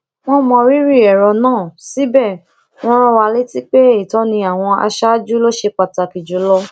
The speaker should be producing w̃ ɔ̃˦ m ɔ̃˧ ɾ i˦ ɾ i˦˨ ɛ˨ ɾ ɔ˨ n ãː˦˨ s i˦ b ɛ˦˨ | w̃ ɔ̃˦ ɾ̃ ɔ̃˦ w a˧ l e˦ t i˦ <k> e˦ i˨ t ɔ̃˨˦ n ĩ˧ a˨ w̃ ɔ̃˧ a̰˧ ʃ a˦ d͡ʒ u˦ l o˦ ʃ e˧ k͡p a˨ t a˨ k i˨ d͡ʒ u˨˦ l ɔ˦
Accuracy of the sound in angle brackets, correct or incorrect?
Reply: incorrect